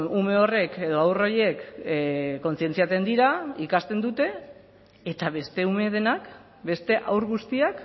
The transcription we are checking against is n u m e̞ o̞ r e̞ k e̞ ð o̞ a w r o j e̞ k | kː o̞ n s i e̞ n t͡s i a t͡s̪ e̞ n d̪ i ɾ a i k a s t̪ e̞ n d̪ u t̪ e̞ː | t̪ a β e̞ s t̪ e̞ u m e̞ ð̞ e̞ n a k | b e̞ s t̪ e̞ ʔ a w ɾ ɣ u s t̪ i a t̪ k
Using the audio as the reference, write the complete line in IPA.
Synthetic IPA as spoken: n u m e̞ o̞ r e̞ k e̞ ð o̞ a w r o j e̞ k | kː o̞ n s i e̞ n t͡s i a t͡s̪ e̞ n d̪ i ɾ a i k a s t̪ e̞ n d̪ u t̪ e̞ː | t̪ a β e̞ s t̪ e̞ u m e̞ ð̞ e̞ n a k | b e̞ s t̪ e̞ ʔ a w ɾ ɣ u s t̪ i a k

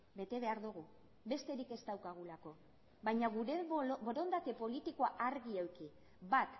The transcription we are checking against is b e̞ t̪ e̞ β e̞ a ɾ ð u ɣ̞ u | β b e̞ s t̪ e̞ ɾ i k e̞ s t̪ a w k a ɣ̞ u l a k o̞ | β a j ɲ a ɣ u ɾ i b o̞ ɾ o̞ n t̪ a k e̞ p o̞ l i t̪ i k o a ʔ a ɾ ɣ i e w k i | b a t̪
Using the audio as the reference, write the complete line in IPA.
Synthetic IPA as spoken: b e̞ t̪ e̞ β e̞ a ɾ ð u ɣ̞ u | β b e̞ s t̪ e̞ ɾ i k e̞ s t̪ a w k a ɣ̞ u l a k o̞ | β a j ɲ a ɣ u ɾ e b o̞ ɾ o̞ n d̪ a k e̞ p o̞ l i t̪ i k o a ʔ a ɾ ɣ i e w k i | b a t̪

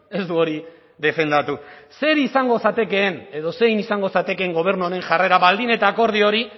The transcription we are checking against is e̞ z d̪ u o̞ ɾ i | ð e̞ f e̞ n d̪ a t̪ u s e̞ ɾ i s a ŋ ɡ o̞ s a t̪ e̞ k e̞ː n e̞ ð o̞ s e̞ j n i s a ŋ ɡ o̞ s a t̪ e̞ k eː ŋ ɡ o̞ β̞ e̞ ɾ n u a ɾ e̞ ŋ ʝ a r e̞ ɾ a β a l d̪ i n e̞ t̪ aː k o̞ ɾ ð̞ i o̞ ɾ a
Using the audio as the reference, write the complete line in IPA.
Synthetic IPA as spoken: e̞ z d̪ u o̞ ɾ i | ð e̞ f e̞ n d̪ a t̪ u s e̞ ɾ i s a ŋ ɡ o̞ s a t̪ e̞ k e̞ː n e̞ ð o̞ s e̞ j n i s a ŋ ɡ o̞ s a t̪ e̞ k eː ŋ ɡ o̞ β̞ e̞ ɾ n u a ɾ e̞ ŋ ʝ a r e̞ ɾ a β a l d̪ i n e̞ t̪ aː k o̞ ɾ ð̞ i o̞ ɾ i

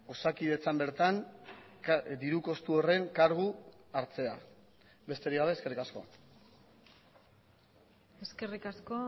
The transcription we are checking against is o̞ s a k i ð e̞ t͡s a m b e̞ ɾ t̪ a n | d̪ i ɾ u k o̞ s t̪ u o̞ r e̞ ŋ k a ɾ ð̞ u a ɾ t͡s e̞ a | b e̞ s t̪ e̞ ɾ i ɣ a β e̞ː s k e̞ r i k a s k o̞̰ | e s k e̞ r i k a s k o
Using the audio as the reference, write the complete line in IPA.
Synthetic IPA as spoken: o̞ s a k i ð e̞ t͡s a m b e̞ ɾ t̪ a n | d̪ i ɾ u k o̞ s t̪ u o̞ r e̞ ŋ k a ɾ ɣ̞ u a ɾ t͡s e̞ a | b e̞ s t̪ e̞ ɾ i ɣ a β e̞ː s k e̞ r i k a s k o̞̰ | e s k e̞ r i k a s k o

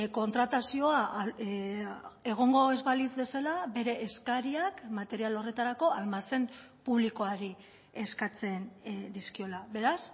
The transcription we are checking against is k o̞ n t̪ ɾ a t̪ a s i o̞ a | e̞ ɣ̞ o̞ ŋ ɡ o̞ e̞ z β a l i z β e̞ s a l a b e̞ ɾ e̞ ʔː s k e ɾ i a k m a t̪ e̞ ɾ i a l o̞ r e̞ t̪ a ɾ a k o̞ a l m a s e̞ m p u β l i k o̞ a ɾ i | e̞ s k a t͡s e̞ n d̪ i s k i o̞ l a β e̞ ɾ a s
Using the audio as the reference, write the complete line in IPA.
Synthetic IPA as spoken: k o̞ n t̪ ɾ a t̪ a s i o̞ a | e̞ ɣ̞ o̞ ŋ ɡ o̞ e̞ z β a l i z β e̞ s a l a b e̞ ɾ e̞ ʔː s k a ɾ i a k m a t̪ e̞ ɾ i a l o̞ r e̞ t̪ a ɾ a k o̞ a l m a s e̞ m p u β l i k o̞ a ɾ i | e̞ s k a t͡s e̞ n d̪ i s k i o̞ l a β e̞ ɾ a s

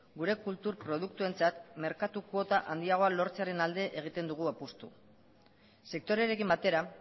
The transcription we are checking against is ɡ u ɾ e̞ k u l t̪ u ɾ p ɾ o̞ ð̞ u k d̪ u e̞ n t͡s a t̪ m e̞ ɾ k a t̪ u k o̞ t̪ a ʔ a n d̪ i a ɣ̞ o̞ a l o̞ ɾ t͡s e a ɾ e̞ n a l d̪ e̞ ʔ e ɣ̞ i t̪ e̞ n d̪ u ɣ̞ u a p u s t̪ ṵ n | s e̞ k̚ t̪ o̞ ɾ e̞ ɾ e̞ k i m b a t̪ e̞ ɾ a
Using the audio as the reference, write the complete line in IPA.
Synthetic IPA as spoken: ɡ u ɾ e̞ k u l t̪ u ɾ p ɾ o̞ ð̞ u k t̪ u e̞ n t͡s a t̪ m e̞ ɾ k a t̪ u k o̞ t̪ a ʔ a n d̪ i a ɣ̞ o̞ a l o̞ ɾ t͡s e a ɾ e̞ n a l d̪ e̞ ʔ e ɣ̞ i t̪ e̞ n d̪ u ɣ̞ u a p u s t̪ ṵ | s e̞ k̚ t̪ o̞ ɾ e̞ ɾ e̞ k i m b a t̪ e̞ ɾ a

